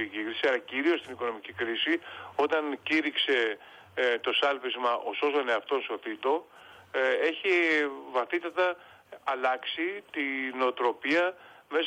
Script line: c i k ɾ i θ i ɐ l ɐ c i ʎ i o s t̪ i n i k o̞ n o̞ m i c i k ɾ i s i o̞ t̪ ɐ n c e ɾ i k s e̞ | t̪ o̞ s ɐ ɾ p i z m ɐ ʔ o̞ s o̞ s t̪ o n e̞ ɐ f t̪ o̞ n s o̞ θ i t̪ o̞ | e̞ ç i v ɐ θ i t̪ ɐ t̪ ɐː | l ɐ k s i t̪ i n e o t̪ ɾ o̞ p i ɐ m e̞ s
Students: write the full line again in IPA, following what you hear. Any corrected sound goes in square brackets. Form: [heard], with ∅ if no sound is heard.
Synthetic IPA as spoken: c i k ɾ i [s] i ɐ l ɐ c i [ɾ] i o s t̪ i n i k o̞ n o̞ m i c i k ɾ i s i o̞ t̪ ɐ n c [i] ɾ i k s e̞ | t̪ o̞ s ɐ [l] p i z m ɐ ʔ o̞ s o̞ s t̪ o n e̞ ɐ f t̪ o̞ n s o̞ θ i t̪ o̞ | e̞ ç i v ɐ θ i t̪ ɐ t̪ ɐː | l ɐ k s i t̪ i n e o t̪ ɾ o̞ p i ɐ m e̞ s